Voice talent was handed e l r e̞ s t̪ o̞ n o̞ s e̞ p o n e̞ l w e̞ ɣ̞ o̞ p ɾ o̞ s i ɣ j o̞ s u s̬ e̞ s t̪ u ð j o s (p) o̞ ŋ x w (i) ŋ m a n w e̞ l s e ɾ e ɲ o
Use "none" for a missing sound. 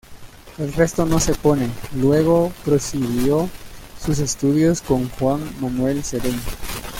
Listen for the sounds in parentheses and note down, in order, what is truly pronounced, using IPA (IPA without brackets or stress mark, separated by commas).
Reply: k, a